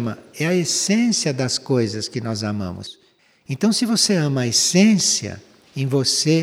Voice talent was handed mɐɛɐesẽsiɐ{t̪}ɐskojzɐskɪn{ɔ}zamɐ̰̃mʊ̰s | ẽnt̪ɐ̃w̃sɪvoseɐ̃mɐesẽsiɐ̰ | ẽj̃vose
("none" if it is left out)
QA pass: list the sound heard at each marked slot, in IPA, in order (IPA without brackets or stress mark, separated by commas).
d̪, ɔ